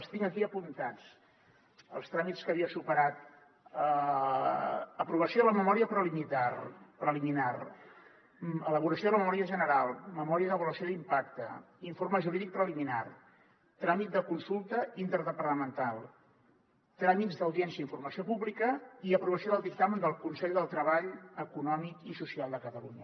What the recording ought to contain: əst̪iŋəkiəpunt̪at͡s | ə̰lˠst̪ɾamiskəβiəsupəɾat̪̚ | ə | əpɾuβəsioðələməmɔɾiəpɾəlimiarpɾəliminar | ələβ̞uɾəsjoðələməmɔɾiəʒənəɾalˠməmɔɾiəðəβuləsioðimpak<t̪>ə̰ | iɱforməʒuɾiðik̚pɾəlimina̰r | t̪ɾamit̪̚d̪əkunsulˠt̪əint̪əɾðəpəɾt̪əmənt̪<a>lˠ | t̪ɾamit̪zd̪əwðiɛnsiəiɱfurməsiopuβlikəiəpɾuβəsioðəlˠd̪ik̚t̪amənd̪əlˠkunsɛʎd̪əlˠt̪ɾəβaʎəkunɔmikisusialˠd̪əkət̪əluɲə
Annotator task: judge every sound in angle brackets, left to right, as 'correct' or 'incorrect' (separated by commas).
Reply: correct, correct